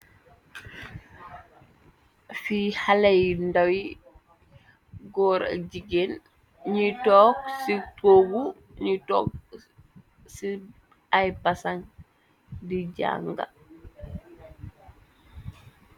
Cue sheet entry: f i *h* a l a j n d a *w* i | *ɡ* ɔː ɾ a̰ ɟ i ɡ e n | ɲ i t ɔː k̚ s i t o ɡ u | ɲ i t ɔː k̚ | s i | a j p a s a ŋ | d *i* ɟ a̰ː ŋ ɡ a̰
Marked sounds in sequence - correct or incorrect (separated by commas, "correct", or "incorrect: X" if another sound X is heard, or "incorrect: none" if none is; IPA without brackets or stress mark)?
correct, correct, correct, correct